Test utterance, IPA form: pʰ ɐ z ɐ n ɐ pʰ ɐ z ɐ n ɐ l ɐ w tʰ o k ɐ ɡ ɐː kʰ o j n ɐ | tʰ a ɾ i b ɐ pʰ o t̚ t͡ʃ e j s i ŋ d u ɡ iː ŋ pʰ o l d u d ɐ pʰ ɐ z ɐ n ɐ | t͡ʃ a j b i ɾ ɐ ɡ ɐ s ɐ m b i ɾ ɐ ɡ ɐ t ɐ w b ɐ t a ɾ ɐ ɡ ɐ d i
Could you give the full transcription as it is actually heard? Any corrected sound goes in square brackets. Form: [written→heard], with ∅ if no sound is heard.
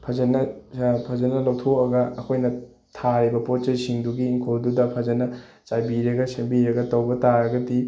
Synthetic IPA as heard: pʰ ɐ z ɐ n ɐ pʰ ɐ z ɐ n ɐ l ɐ w tʰ o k ɐ ɡ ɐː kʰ o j n ɐ | tʰ a ɾ i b ɐ [pʰ→p] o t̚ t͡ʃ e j s i ŋ d u ɡ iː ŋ [pʰ→kʰ] o l d u d ɐ pʰ ɐ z ɐ n ɐ | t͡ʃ a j b i ɾ ɐ ɡ ɐ s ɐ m b i ɾ ɐ ɡ ɐ t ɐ w b ɐ t a ɾ ɐ ɡ ɐ d i

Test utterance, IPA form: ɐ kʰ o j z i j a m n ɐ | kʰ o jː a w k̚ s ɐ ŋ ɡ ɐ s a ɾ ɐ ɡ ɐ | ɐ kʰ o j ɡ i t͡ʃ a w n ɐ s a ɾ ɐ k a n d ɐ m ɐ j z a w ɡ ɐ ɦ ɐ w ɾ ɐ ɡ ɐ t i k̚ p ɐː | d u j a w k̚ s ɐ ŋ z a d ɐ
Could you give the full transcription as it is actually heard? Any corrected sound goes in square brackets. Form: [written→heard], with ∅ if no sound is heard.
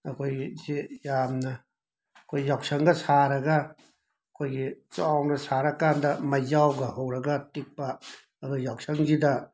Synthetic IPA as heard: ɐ kʰ o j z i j a m n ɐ | kʰ o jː a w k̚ s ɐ ŋ ɡ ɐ s a ɾ ɐ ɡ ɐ | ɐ kʰ o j ɡ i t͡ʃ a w n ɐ s a ɾ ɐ k a n d ɐ m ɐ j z a w ɡ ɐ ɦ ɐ w ɾ ɐ ɡ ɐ t i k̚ p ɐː | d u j a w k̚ s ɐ ŋ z [a→i] d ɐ

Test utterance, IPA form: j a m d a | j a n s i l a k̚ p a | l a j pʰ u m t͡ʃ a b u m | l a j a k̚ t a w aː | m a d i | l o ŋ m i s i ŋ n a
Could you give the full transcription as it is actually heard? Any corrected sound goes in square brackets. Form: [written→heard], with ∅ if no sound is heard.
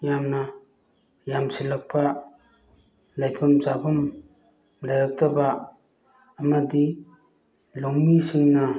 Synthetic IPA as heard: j a m [d→n] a | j a [n→m] s i l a k̚ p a | l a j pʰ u m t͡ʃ a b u m | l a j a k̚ t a [w→b] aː | m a d i | l o ŋ m i s i ŋ n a

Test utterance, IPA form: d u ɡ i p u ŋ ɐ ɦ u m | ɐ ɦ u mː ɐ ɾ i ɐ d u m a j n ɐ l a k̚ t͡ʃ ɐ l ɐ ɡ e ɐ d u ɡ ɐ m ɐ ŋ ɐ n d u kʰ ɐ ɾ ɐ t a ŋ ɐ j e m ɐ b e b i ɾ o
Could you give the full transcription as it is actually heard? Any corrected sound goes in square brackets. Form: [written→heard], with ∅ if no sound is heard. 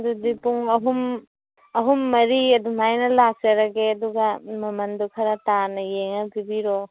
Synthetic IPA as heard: d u [ɡ→d] i p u ŋ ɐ ɦ u m | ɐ ɦ u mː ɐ ɾ i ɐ d u m a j n ɐ l a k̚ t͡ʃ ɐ [l→ɾ] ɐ ɡ e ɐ d u ɡ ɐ m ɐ [ŋ→m] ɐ n d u kʰ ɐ ɾ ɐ t a [ŋ→n] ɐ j e [m→ŋ] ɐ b [e→i] b i ɾ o

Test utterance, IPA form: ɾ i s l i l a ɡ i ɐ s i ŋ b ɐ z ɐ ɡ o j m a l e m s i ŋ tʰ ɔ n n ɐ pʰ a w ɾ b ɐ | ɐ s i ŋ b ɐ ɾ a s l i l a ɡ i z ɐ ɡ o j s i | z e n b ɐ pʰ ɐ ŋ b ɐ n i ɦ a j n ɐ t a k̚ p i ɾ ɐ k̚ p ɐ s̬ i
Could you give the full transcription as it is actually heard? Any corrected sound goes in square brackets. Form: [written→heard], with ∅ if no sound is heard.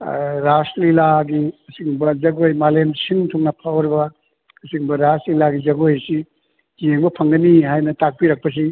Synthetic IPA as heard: ɾ [i→a] s l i l a ɡ i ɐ s i ŋ b ɐ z ɐ ɡ o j m a l e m s i ŋ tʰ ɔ [n→ŋ] n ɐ pʰ a w ɾ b ɐ | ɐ s i ŋ b ɐ ɾ a s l i l a ɡ i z ɐ ɡ o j s i | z e [n→ŋ] b ɐ pʰ ɐ ŋ [b→ɡ] ɐ n i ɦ a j n ɐ t a k̚ p i ɾ ɐ k̚ p ɐ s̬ i

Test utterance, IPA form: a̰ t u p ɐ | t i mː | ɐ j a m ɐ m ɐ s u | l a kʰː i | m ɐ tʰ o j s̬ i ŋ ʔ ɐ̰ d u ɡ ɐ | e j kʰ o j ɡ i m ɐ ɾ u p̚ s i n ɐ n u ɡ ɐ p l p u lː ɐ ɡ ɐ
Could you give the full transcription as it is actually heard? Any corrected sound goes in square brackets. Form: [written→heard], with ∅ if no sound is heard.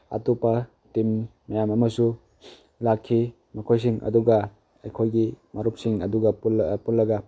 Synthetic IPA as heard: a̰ t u p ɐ | t i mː | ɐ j a m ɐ m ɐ s u | l a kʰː i | m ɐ [tʰ→kʰ] o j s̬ i ŋ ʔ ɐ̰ d u ɡ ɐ | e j kʰ o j ɡ i m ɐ ɾ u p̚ s i [n→ŋ] ɐ [n→d] u ɡ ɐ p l p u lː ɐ ɡ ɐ

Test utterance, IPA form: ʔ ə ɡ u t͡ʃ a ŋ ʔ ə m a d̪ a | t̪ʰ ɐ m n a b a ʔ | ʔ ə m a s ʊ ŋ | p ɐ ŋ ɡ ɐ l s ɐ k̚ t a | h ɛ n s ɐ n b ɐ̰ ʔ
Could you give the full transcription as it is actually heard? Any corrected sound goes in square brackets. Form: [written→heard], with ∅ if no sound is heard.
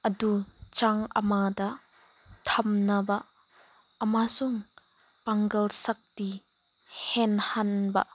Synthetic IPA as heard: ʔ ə [ɡ→d] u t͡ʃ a ŋ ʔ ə m a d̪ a | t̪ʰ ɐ m n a b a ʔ | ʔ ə m a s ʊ ŋ | p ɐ ŋ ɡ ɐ l s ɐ k̚ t [a→i] | h ɛ n [s→h] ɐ n b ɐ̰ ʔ

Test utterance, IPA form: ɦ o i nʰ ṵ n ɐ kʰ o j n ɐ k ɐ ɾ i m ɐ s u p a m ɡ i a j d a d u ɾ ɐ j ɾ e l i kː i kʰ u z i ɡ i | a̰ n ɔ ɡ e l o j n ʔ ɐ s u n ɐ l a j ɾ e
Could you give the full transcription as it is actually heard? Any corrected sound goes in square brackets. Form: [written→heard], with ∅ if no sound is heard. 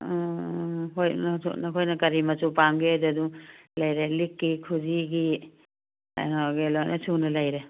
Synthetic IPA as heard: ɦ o [i→j] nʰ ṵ n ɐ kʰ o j n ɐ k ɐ ɾ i m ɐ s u p a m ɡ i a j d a d u [ɾ→l] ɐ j ɾ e l i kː i kʰ u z i ɡ i | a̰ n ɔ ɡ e l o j n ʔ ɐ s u n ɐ l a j ɾ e

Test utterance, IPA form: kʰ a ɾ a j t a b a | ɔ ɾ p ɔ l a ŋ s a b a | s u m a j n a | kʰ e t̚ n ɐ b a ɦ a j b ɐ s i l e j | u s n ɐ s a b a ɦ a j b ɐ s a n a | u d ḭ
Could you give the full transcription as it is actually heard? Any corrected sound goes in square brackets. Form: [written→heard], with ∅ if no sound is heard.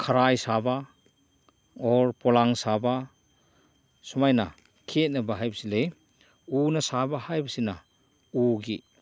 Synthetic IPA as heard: kʰ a ɾ a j [t→s] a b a | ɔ ɾ p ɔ l a ŋ s a b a | s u m a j n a | kʰ e t̚ n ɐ b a ɦ a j b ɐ s i l e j | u [s→∅] n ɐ s a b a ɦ a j b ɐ s [a→i] n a | u [d→ɡ] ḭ

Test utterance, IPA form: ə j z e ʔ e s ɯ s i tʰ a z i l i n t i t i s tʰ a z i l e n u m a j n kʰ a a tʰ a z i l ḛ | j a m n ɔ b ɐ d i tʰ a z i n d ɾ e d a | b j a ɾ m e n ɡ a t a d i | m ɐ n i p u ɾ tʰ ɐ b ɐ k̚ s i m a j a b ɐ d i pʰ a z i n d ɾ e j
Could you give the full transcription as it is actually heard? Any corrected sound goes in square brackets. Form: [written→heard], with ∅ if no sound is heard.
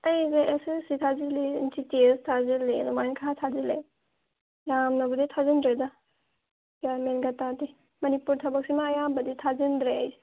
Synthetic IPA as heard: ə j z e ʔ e s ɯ s i tʰ a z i l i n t i t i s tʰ a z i l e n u m a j n kʰ a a tʰ a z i l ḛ | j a m n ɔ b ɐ d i tʰ a z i n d ɾ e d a | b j a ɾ m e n ɡ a t a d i | m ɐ n i p u ɾ tʰ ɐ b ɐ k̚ s i m a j a b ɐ d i [pʰ→tʰ] a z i n d ɾ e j

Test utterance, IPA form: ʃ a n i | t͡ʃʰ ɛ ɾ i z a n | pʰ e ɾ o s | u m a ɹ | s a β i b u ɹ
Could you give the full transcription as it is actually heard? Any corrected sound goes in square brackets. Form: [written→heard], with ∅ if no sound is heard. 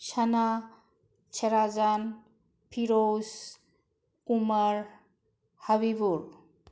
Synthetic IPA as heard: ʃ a n [i→a] | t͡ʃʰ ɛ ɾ [i→a] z a n | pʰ [e→i] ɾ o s | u m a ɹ | [s→h] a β i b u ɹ

